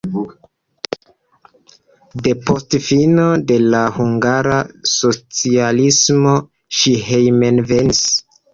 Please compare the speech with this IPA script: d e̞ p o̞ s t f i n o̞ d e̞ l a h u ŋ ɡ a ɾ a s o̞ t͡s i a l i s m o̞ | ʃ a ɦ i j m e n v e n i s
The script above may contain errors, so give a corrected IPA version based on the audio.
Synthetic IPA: d e̞ p o̞ s t f i n o̞ d e̞ l a h u ŋ ɡ a ɾ a s o̞ t͡s i a l i s m o̞ | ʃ i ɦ e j m e n v e n i s